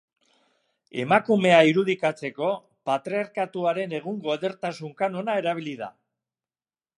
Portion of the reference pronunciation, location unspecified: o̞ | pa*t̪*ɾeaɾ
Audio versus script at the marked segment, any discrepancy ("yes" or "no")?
no